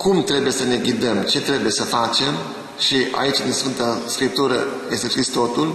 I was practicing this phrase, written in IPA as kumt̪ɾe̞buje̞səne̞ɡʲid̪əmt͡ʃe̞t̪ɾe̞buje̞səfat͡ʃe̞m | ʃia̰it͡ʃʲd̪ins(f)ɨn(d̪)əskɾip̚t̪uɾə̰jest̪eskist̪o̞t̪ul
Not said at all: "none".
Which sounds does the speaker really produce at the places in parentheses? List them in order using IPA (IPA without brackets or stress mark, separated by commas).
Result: f, t̪